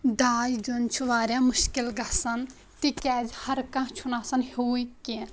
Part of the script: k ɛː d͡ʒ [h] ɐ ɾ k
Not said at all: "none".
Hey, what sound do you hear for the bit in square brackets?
h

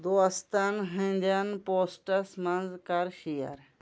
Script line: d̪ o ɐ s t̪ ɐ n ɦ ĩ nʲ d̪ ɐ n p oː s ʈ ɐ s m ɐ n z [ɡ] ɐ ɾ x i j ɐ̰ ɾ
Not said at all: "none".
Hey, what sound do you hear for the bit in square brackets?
k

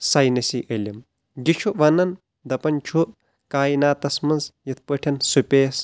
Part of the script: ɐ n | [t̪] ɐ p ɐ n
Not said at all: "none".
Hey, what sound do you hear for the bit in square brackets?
d̪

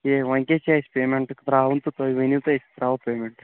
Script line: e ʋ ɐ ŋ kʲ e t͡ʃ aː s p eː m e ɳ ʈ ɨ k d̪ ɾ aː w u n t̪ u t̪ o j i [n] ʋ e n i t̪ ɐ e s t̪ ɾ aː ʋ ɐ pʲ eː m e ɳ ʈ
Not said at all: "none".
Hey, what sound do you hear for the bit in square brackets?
none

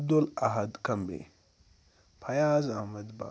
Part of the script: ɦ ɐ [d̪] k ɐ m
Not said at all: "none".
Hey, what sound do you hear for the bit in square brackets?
d̪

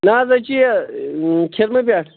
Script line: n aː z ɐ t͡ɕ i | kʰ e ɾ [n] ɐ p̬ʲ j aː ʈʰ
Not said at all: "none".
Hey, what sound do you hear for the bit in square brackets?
m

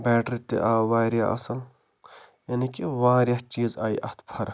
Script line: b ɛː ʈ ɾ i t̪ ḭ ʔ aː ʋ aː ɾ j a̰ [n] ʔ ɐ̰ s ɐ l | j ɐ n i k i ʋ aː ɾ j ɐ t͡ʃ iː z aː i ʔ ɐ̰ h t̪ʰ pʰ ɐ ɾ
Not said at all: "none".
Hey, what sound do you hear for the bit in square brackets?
none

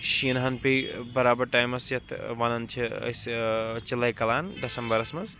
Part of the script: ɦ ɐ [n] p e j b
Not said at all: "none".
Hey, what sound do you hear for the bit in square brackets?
n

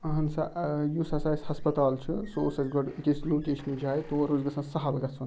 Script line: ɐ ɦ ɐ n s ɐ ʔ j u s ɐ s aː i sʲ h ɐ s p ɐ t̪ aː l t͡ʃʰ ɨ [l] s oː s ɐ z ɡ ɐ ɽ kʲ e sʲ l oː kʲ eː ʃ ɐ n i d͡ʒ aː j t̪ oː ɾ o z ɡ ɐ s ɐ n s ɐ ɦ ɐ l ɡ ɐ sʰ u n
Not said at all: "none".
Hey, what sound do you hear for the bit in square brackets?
none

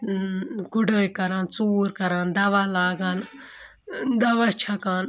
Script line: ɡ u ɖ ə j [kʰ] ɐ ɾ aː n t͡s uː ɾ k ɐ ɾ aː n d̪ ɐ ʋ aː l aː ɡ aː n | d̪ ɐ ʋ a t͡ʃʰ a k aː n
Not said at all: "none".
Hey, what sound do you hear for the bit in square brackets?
k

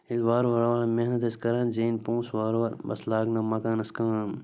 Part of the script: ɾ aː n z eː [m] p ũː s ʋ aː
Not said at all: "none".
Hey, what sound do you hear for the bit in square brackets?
n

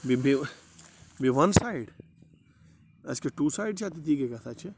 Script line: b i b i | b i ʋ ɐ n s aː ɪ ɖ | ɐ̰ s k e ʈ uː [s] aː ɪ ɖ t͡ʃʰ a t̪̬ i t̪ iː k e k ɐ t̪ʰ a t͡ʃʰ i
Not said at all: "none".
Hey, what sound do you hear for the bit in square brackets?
s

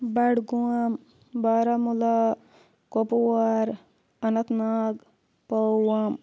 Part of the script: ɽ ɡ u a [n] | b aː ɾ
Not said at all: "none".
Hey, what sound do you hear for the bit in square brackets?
m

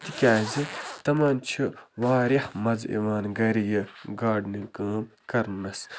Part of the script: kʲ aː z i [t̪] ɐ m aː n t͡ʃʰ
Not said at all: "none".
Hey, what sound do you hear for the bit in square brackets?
t̪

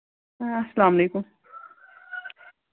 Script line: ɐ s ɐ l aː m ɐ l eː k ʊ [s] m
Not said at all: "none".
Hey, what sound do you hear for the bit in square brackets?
none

